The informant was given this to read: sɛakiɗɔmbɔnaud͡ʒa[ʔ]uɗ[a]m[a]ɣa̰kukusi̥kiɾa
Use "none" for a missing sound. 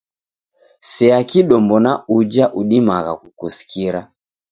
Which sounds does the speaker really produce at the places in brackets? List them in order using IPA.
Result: ʔ, i, a

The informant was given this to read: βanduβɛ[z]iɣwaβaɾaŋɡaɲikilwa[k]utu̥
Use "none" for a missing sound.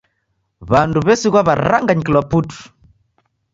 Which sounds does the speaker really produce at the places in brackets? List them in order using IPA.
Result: s, p

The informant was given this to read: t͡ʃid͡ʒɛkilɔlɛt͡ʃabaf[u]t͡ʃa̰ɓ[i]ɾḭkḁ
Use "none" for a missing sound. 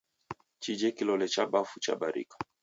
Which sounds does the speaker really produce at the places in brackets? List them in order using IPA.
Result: u, a

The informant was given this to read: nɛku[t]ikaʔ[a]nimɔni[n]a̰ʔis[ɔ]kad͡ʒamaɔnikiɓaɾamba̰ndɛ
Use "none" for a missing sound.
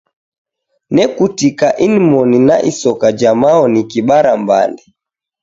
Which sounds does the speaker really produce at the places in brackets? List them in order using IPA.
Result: t, i, n, ɔ

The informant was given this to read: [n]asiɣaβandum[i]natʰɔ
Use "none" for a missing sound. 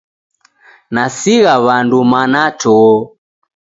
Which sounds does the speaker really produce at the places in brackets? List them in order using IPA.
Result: n, a

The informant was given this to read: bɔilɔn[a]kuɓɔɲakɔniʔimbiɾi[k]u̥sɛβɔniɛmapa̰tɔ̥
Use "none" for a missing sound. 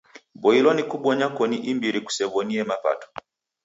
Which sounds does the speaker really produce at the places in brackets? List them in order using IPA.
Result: i, k

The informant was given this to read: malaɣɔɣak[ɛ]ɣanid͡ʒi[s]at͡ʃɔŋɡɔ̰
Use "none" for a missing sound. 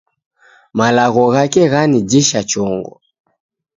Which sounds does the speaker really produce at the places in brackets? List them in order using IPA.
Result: ɛ, ʃ

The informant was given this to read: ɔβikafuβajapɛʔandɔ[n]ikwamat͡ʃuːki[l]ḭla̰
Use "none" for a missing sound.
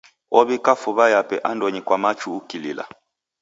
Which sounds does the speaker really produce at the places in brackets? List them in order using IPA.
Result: ɲ, l

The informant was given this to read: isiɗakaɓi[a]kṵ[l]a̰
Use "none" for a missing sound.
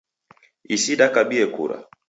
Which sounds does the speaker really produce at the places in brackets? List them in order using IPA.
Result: ɛ, ɾ

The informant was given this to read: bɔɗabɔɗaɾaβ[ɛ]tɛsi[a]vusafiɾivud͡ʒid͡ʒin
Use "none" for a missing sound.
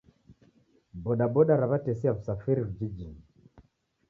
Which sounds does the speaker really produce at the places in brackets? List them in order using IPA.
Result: a, a

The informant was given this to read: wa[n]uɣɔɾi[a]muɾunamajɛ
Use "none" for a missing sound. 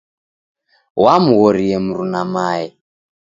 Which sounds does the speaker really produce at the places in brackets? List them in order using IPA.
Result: m, ɛ

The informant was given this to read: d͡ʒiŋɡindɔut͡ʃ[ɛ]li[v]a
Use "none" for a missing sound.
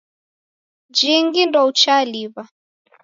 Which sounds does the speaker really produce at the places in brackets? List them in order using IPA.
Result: a, β

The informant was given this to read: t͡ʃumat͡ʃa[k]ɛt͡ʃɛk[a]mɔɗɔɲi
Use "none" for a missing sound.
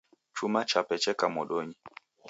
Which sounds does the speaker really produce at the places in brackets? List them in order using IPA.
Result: p, a

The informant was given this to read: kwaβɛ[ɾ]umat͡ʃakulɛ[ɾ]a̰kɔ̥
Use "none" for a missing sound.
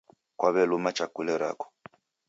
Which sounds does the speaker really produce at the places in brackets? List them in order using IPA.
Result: l, ɾ

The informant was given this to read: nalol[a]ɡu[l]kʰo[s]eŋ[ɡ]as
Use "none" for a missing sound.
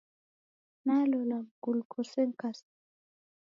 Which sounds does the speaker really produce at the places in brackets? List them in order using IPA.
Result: a, l, s, k

